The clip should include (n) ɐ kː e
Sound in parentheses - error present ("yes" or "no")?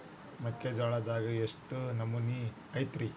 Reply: yes